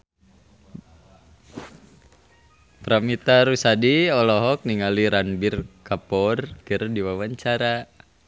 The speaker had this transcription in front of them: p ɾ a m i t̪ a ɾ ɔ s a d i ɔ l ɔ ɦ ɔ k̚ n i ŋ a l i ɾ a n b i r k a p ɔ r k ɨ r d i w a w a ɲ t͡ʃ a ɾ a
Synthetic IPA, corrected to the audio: p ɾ a m i t̪ a ɾ u s a d i ɔ l ɔ ɦ ɔ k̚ n i ŋ a l i ɾ a n b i r k a p ɔ r k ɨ r d i w a w a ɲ t͡ʃ a ɾ a